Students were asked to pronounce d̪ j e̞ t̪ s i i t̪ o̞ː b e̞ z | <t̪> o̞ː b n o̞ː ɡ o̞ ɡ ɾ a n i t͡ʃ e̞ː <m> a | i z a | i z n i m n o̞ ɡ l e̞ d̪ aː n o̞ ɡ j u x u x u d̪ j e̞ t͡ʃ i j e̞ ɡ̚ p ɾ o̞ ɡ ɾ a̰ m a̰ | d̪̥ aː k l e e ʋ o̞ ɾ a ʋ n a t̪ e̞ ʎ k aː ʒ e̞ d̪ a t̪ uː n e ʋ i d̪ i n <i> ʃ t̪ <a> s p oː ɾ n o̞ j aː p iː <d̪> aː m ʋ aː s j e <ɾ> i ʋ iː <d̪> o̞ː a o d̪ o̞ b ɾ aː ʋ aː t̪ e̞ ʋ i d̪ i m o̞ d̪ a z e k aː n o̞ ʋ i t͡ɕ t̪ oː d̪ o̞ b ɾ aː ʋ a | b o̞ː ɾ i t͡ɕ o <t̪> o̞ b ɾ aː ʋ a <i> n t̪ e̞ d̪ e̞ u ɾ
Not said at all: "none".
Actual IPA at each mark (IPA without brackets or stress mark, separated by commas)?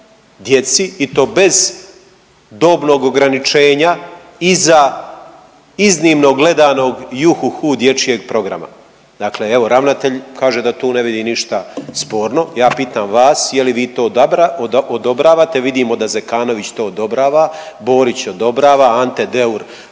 d̪, ɲ, i, a, t̪, l, t̪, d̪, a